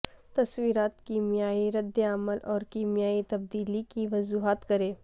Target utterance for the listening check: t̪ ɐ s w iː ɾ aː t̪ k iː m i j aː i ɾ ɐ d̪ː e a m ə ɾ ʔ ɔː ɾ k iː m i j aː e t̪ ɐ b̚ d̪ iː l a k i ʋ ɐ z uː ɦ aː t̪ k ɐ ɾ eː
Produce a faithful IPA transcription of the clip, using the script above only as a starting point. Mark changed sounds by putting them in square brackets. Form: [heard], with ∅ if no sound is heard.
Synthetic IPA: t̪ ɐ s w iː ɾ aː t̪ k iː m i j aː i ɾ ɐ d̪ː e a m ə [l] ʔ ɔː ɾ k iː m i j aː [i] t̪ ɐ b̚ d̪ iː l [i] k i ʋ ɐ z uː ɦ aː t̪ k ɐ ɾ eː